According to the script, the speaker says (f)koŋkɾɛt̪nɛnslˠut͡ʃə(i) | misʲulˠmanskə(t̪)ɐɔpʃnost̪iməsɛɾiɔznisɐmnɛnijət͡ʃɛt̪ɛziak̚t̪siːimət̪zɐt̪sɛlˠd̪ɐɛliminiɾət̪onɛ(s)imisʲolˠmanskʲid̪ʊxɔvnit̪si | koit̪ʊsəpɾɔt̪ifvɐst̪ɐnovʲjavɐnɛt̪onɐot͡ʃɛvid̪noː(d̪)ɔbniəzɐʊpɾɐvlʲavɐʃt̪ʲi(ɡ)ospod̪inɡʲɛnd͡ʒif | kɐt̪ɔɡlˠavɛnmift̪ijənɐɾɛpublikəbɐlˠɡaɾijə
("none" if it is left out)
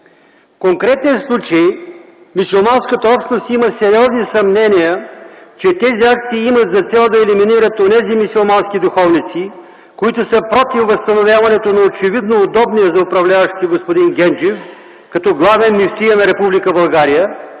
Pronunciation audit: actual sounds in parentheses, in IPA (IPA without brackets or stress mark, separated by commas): f, j, t̪, z, d̪, ɡ